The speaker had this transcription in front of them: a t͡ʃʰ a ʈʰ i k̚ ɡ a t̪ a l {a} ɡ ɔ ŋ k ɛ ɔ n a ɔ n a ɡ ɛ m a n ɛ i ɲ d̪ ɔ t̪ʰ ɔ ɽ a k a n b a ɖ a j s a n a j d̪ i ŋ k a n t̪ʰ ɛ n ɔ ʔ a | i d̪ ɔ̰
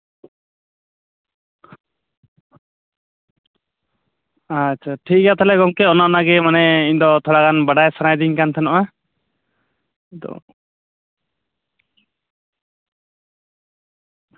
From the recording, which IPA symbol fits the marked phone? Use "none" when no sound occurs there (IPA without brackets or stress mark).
ɛ